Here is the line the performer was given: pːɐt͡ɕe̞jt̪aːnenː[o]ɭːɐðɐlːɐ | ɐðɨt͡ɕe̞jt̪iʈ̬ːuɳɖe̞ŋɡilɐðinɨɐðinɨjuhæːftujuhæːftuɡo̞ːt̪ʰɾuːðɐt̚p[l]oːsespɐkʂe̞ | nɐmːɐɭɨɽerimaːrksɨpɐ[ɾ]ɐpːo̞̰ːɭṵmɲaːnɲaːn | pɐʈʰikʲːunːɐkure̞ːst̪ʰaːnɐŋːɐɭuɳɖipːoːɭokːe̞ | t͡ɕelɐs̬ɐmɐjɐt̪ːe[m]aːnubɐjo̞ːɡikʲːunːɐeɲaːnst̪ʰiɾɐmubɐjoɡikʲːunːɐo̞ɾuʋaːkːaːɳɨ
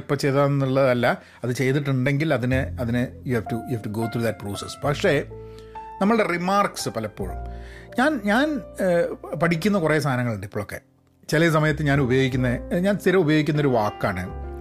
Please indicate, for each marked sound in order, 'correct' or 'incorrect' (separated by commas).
incorrect, incorrect, incorrect, incorrect